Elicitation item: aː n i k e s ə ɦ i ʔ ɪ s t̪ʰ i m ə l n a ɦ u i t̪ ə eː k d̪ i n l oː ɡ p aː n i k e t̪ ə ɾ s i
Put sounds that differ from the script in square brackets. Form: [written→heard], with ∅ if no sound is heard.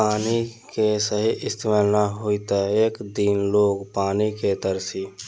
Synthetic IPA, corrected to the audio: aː n i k e s ə ɦ i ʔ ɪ s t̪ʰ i m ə l n a ɦ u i t̪ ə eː k d̪ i n l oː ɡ p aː n i k e t̪ ə ɾ s i